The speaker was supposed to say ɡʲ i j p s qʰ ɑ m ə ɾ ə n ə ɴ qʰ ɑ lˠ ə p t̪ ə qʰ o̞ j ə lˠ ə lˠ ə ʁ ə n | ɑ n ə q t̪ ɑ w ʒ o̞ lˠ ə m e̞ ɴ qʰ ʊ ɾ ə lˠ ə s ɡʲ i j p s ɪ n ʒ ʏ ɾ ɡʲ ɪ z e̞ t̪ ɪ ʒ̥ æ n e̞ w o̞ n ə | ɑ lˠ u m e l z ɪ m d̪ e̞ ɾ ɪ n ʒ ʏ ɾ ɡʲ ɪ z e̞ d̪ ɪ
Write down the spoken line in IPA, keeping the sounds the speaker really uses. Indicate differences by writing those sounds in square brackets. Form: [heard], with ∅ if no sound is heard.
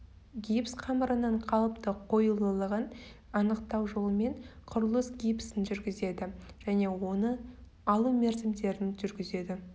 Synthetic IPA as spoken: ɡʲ i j p s qʰ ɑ m ə ɾ ə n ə ɴ qʰ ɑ lˠ ə p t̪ ə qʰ o̞ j ə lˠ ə lˠ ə ʁ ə n | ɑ n ə q t̪ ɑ w ʒ o̞ lˠ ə m e̞ ɴ qʰ ʊ ɾ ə lˠ ə s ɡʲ i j p s ɪ n ʒ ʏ ɾ ɡʲ ɪ z e̞ [d̪] ɪ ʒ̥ æ n e̞ w o̞ n ə | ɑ lˠ u m e [ɾ] z ɪ m d̪ e̞ ɾ ɪ n ʒ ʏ ɾ ɡʲ ɪ z e̞ d̪ ɪ